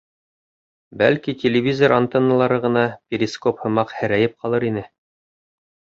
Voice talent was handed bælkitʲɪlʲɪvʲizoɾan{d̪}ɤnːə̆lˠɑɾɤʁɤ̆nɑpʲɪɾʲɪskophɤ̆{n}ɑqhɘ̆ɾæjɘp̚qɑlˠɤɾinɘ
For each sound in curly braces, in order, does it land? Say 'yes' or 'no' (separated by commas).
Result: no, no